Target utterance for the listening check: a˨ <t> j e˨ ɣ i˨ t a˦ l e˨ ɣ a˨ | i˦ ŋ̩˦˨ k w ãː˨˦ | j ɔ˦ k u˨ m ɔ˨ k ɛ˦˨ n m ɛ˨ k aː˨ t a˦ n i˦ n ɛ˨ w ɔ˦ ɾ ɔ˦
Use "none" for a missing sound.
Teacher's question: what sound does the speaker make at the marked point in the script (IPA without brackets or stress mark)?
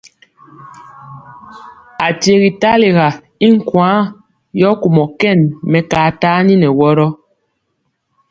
t